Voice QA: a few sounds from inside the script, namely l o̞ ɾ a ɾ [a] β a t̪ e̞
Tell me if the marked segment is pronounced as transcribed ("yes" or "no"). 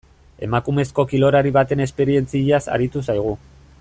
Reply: no